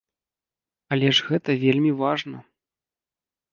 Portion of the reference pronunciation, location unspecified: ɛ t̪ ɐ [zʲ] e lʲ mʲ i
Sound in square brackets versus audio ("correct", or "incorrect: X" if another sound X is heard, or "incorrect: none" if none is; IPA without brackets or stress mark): incorrect: vʲ